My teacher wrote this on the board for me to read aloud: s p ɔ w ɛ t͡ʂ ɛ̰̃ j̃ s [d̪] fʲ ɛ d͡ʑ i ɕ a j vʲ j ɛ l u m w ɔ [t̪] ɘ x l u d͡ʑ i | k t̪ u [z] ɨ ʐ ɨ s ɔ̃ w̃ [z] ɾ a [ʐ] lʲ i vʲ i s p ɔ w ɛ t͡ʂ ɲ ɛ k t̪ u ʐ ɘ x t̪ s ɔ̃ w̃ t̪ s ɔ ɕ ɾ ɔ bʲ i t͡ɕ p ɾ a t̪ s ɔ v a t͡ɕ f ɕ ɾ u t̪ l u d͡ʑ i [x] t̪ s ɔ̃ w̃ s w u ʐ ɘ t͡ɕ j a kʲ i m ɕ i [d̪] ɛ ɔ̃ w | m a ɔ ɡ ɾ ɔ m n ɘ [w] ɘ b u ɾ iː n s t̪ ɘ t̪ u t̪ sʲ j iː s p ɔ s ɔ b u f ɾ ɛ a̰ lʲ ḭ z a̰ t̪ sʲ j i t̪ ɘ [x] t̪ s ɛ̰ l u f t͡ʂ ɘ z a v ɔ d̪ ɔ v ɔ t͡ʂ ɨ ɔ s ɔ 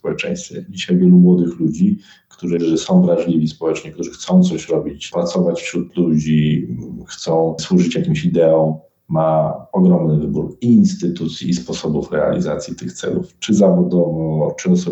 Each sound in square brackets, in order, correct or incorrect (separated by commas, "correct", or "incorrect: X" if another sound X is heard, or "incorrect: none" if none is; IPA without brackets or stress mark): incorrect: t̪, incorrect: d̪, incorrect: ʐ, incorrect: v, correct, correct, correct, incorrect: v, correct